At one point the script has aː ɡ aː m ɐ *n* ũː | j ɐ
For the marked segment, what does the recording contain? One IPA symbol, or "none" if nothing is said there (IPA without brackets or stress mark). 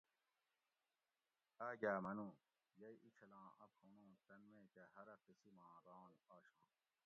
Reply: n